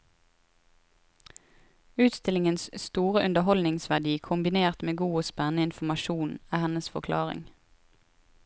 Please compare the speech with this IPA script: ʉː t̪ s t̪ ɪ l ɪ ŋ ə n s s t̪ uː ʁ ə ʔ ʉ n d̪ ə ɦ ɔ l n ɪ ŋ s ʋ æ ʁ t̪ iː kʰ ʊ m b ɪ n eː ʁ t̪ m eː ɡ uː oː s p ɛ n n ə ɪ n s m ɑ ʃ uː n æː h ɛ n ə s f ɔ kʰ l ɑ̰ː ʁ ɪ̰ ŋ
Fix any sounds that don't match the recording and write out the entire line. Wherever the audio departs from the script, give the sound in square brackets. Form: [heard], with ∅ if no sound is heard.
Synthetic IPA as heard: ʉː t̪ s t̪ ɪ l ɪ ŋ ə n s s t̪ uː ʁ ə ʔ ʉ n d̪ ə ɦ ɔ l n ɪ ŋ s ʋ æ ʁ [d̪] iː kʰ ʊ m b ɪ n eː ʁ t̪ m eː ɡ uː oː s p ɛ n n ə ɪ n [f] m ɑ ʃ uː n æː h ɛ n ə s f ɔ kʰ l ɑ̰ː ʁ ɪ̰ ŋ